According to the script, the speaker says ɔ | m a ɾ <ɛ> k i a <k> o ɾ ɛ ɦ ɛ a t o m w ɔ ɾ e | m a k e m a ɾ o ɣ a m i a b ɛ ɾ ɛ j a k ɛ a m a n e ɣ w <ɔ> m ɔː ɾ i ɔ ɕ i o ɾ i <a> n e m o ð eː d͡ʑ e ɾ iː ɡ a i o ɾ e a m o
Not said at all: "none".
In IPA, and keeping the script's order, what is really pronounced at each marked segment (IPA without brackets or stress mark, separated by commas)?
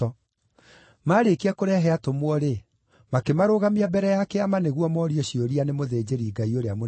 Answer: e, k, ɔ, a